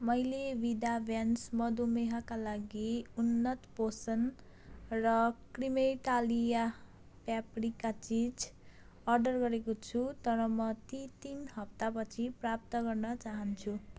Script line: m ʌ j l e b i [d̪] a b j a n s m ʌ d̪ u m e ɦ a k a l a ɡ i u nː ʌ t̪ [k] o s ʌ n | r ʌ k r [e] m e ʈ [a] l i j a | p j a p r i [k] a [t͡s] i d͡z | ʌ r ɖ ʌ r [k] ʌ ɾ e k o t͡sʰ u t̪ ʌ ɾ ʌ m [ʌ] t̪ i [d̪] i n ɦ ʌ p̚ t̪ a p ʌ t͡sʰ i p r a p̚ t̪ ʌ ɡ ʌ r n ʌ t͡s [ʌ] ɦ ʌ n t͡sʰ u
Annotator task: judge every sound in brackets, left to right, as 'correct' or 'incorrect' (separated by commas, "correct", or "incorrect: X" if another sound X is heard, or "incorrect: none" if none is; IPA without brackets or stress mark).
correct, incorrect: p, incorrect: i, correct, correct, correct, incorrect: ɡ, correct, incorrect: t̪, incorrect: a